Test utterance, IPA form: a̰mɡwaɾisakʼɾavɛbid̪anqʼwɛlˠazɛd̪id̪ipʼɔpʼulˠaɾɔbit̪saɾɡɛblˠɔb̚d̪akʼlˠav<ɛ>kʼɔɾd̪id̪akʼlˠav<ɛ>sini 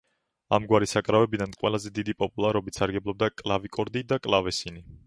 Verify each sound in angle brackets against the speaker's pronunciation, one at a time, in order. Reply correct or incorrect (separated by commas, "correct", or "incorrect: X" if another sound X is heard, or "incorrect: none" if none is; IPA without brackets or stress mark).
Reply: incorrect: i, correct